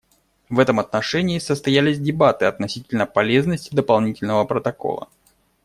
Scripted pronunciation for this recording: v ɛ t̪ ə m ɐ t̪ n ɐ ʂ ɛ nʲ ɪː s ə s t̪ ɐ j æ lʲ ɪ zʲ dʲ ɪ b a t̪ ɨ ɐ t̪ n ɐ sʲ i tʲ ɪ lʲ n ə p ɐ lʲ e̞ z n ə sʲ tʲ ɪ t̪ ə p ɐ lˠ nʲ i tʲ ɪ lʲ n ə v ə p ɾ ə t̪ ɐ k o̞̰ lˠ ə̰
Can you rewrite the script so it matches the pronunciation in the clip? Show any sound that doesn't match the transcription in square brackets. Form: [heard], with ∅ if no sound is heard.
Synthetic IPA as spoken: v ɛ t̪ ə m ɐ t̪ n ɐ ʂ ɛ nʲ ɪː s ə s t̪ ɐ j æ lʲ ɪ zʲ dʲ ɪ b a t̪ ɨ ɐ t̪ n ɐ sʲ i tʲ ɪ lʲ n ə p ɐ lʲ e̞ z n ə sʲ tʲ ɪ [d̪] ə p ɐ lˠ nʲ i tʲ ɪ lʲ n ə v ə p ɾ ə t̪ ɐ k o̞̰ lˠ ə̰